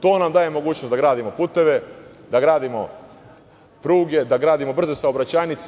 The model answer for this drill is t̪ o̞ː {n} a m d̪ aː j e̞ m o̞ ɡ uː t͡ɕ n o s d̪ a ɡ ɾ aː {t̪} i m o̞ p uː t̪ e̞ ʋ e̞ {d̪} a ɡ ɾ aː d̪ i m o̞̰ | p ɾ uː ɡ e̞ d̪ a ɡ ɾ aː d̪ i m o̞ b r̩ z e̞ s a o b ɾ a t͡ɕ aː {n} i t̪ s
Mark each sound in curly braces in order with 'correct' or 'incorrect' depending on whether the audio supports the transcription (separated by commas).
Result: correct, incorrect, correct, correct